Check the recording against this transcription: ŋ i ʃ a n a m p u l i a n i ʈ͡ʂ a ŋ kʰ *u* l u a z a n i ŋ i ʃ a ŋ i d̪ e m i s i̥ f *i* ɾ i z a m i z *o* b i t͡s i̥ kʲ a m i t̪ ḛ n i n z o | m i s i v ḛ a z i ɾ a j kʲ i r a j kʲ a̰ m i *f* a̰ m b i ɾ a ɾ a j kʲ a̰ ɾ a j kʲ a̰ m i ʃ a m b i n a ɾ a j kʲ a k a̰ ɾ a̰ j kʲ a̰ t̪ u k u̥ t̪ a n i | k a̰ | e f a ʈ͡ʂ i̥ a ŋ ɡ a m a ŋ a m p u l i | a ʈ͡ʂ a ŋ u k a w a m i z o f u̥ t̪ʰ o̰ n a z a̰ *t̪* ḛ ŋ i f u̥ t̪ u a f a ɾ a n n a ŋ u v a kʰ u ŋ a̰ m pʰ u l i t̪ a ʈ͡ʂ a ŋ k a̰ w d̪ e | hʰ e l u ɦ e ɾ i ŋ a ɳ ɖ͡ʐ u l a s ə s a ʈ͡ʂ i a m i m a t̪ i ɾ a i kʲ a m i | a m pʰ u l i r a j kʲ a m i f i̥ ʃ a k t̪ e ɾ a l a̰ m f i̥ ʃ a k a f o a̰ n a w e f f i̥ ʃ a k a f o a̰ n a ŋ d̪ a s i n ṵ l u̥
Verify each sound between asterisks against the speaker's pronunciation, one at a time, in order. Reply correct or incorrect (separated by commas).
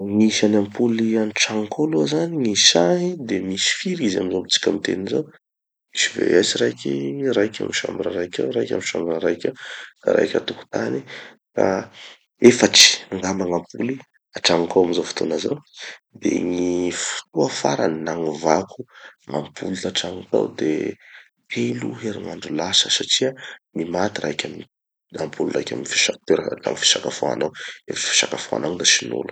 incorrect, correct, correct, incorrect, incorrect